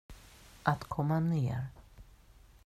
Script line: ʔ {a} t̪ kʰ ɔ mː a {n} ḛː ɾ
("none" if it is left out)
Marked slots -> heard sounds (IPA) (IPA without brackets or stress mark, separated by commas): a, n